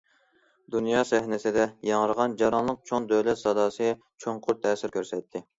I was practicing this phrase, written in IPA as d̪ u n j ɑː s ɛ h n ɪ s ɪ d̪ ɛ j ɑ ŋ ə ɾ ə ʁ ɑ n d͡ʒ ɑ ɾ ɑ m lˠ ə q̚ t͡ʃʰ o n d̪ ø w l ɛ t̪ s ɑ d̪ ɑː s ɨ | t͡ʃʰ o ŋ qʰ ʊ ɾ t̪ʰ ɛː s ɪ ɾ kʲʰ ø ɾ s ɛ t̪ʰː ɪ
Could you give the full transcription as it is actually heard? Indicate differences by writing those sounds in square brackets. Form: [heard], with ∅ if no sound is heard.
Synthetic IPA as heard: d̪ u n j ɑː s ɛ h n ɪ s ɪ d̪ ɛ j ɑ ŋ ə ɾ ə ʁ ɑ n d͡ʒ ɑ ɾ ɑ [n] lˠ ə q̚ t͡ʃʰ o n d̪ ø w l ɛ t̪ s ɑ d̪ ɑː s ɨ | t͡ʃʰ o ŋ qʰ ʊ ɾ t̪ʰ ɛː s ɪ ɾ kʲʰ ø ɾ s ɛ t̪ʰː ɪ